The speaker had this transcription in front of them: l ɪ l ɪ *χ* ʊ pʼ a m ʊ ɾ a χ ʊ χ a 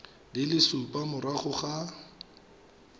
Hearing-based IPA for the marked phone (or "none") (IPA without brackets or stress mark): s